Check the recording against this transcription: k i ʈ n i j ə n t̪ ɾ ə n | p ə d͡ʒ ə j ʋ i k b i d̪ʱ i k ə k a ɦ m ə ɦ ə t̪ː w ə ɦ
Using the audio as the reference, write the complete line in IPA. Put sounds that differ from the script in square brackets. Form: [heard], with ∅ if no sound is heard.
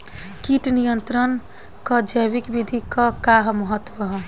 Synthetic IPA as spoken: k i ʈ n i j ə n t̪ ɾ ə n | [k] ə d͡ʒ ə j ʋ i k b i d̪ʱ i k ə k a ɦ m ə ɦ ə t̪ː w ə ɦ

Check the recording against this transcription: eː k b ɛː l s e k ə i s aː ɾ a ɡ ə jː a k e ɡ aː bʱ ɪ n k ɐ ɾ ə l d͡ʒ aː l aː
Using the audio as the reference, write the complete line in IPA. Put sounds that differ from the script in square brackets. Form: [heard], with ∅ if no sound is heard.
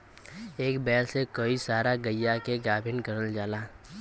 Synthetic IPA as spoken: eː k b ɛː l s e k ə i s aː ɾ a ɡ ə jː a k e ɡ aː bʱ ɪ n k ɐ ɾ ə l d͡ʒ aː l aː

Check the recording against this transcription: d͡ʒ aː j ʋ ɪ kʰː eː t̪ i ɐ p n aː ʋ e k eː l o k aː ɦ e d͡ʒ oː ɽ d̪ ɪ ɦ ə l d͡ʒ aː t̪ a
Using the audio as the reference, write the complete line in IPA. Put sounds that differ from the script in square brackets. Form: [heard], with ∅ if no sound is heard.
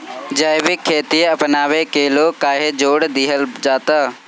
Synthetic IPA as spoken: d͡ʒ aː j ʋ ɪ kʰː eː t̪ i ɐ p n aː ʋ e k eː l o k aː ɦ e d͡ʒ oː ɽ d̪ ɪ ɦ ə l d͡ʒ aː t̪ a

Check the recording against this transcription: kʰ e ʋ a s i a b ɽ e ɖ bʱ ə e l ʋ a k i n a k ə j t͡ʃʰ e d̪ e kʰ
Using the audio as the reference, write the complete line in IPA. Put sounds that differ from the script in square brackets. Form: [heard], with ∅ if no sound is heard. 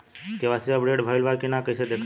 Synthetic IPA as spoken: [k] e ʋ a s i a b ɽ e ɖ bʱ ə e l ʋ a k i n a k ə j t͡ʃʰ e d̪ e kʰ

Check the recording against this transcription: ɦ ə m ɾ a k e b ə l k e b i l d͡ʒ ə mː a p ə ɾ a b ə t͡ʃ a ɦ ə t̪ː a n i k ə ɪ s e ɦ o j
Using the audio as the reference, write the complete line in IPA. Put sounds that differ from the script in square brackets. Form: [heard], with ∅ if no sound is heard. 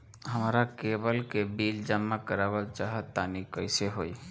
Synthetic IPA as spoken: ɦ ə m ɾ a k e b ə l k e b i l d͡ʒ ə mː a [k] ə ɾ a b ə t͡ʃ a ɦ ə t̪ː a n i k ə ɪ s e ɦ o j

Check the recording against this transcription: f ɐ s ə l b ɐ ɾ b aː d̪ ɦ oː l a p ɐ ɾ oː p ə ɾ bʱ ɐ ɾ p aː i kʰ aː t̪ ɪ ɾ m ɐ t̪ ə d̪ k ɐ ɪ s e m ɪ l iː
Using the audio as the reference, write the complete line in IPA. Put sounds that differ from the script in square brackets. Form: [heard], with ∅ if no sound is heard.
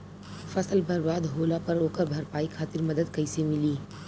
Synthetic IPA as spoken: f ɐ s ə l b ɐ ɾ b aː d̪ ɦ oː l a p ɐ ɾ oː [k] ə ɾ bʱ ɐ ɾ p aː i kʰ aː t̪ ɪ ɾ m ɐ [d̪] ə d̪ k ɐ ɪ s e m ɪ l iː

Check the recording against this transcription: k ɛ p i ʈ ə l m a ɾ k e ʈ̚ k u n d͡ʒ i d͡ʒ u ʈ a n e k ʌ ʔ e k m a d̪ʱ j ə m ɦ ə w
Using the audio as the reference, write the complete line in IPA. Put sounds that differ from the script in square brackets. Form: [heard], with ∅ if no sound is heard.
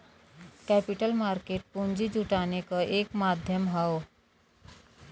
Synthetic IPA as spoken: k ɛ p i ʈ ə l m a ɾ k e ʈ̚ [p] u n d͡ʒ i d͡ʒ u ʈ a n e k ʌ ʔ e k m a d̪ʱ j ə m ɦ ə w

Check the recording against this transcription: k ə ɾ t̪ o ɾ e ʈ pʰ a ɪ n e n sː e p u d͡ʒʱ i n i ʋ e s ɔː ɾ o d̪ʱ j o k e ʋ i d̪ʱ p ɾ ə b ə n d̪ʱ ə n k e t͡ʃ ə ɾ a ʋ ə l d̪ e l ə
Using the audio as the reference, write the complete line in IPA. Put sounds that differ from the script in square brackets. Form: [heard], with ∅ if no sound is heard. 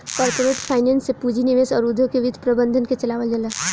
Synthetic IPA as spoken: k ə ɾ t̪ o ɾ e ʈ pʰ a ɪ n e n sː e p u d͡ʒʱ i n i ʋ e s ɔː ɾ [u] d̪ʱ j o k e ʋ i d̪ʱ p ɾ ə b ə n d̪ʱ ə n k e t͡ʃ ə [l] a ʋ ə l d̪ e l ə

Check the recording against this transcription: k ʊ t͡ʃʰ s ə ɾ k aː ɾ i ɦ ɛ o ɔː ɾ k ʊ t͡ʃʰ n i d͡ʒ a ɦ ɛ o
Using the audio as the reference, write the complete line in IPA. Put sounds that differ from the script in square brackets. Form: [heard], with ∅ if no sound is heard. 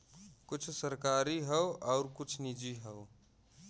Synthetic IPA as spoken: k ʊ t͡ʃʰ s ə ɾ k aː ɾ i ɦ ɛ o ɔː ɾ k ʊ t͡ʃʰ n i d͡ʒ [i] ɦ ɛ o

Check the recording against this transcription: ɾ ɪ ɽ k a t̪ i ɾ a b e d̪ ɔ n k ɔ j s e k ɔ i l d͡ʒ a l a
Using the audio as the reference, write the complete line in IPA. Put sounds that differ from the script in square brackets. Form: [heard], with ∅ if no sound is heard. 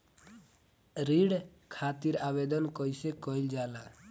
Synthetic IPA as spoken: ɾ [i] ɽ [kʰ] a t̪ i ɾ a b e d̪ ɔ n k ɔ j s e k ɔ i l d͡ʒ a l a

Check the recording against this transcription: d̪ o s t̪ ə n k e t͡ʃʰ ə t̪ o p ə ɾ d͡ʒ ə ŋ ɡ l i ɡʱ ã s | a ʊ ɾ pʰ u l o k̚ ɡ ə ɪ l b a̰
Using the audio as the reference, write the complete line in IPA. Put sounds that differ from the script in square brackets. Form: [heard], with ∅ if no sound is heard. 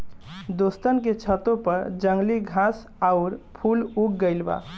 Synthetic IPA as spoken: d̪ o s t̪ ə n k e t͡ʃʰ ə t̪ o p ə ɾ d͡ʒ ə ŋ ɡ l i ɡʱ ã s | a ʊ ɾ pʰ u l [u] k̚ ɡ ə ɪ l b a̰

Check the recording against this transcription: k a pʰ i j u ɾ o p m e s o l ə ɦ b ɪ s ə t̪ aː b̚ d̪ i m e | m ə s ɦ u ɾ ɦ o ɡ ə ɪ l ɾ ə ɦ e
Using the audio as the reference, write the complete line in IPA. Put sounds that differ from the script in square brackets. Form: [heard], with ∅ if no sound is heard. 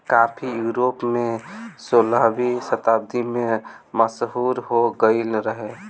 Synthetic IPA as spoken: k a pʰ i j u ɾ o p m e s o l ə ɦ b [i] s ə t̪ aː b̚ d̪ i m e | m ə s ɦ u ɾ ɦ o ɡ ə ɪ l ɾ ə ɦ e

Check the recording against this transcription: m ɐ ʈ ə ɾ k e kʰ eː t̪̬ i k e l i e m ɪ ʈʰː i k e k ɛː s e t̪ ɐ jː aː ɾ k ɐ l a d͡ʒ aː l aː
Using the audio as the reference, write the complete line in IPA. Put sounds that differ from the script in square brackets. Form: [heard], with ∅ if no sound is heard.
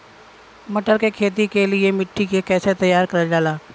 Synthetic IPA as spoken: m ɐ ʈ ə ɾ k e kʰ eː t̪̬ i k e l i e m ɪ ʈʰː i k e k ɛː s e t̪ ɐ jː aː ɾ k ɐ [ɾ] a d͡ʒ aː l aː

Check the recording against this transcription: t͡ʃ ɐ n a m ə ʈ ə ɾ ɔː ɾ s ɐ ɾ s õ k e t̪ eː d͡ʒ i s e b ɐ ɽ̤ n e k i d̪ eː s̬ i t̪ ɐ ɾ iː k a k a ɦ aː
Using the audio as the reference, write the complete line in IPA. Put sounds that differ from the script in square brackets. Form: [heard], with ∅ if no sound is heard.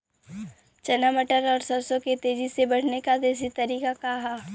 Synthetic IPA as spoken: t͡ʃ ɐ n a m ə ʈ ə ɾ ɔː ɾ s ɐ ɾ s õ k e t̪ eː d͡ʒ i s e b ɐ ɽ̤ n e k [a] d̪ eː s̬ i t̪ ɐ ɾ iː k a k a ɦ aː

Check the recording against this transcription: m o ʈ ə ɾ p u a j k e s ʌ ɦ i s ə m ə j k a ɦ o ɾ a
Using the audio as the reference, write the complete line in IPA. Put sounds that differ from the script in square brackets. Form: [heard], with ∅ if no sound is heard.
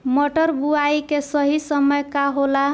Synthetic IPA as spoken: m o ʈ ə ɾ [b] u a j k e s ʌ ɦ i s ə m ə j k a ɦ o [l] a

